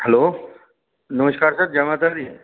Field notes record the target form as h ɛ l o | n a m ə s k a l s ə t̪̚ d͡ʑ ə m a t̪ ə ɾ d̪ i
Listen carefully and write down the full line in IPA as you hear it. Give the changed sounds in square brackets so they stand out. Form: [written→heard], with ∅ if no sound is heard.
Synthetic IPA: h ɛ l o | n [a→ə] m ə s k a [l→ɾ] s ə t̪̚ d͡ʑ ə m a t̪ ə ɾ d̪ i